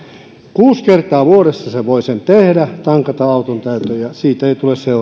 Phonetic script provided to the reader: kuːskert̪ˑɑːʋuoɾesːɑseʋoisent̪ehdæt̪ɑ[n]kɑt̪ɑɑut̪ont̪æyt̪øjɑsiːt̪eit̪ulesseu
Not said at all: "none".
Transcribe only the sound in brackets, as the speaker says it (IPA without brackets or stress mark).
ŋ